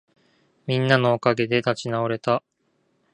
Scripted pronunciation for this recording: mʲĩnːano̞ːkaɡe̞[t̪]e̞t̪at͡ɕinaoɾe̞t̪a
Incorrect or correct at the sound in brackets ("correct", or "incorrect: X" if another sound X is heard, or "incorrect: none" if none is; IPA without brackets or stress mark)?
incorrect: d̪